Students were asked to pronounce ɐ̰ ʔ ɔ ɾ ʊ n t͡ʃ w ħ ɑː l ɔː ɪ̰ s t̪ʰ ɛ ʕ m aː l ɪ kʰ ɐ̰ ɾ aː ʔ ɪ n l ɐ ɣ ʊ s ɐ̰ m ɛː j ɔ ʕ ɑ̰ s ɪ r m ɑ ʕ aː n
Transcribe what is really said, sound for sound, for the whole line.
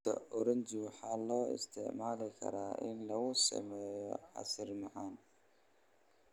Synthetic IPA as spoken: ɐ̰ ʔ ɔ ɾ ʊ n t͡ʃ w ħ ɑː l ɔː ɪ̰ s t̪ʰ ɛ ʕ m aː l ɪ kʰ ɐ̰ ɾ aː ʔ ɪ n l ɐ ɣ ʊ s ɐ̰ m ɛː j ɔ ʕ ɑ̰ s ɪ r m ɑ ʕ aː n